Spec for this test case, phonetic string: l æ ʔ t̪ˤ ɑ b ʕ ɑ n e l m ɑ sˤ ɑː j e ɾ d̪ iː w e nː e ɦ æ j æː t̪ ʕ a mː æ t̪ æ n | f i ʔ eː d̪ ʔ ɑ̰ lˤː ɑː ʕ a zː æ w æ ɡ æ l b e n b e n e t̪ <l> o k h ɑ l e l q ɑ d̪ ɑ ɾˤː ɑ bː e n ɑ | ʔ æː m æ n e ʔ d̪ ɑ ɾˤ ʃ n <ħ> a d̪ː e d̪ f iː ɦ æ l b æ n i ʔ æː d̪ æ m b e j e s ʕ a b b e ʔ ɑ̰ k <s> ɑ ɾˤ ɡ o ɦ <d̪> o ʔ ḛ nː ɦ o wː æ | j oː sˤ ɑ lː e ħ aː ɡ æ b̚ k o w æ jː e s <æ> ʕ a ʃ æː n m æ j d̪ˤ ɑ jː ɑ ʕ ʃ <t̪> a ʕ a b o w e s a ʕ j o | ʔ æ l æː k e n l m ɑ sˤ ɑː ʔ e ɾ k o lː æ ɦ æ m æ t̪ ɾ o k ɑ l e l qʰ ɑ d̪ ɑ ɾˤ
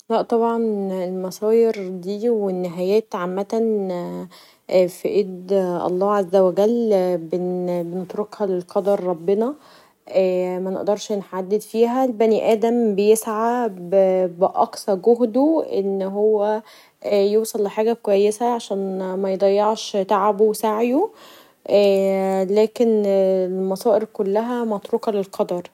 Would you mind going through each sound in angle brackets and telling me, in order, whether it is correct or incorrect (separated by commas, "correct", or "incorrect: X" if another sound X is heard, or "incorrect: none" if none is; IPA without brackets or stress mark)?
incorrect: ɾ, correct, correct, correct, correct, correct